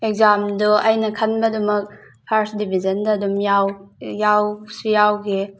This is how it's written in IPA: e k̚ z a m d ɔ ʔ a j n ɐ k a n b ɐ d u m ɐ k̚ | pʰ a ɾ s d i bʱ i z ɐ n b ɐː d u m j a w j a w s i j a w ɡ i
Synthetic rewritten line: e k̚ z a m d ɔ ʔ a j n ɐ kʰ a n b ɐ d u m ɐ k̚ | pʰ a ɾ s d i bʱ i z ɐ n d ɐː d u m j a w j a w s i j a w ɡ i